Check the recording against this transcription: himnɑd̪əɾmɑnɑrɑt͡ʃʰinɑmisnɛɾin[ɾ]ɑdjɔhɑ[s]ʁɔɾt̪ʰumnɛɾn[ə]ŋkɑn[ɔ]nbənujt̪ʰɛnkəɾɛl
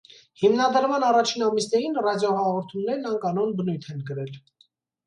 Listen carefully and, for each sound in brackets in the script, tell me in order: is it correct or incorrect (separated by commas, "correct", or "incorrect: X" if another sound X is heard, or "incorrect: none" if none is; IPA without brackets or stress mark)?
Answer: incorrect: r, incorrect: none, incorrect: ɑ, correct